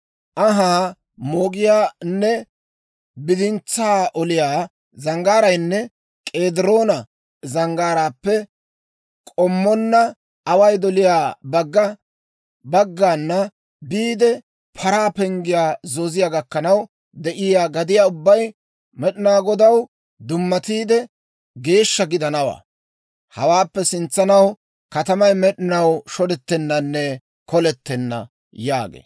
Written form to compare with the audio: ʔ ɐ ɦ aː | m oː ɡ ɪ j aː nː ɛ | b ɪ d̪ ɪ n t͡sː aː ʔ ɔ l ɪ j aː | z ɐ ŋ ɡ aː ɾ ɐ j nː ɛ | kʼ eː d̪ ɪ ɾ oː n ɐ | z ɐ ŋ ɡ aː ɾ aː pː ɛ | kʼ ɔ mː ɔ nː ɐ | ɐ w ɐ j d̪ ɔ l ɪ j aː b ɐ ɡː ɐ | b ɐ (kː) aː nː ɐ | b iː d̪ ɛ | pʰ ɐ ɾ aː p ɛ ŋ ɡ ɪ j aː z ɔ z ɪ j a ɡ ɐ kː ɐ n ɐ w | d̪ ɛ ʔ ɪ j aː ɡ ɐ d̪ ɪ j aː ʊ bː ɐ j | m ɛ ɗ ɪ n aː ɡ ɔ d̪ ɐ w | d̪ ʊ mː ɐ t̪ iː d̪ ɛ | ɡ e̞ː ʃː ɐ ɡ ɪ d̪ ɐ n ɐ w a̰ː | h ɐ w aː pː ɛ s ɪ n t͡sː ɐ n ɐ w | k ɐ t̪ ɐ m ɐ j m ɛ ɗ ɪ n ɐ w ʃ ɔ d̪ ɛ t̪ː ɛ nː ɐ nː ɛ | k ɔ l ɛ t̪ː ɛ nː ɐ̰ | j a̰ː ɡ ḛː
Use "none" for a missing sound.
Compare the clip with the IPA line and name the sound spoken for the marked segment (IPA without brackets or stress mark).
ɡː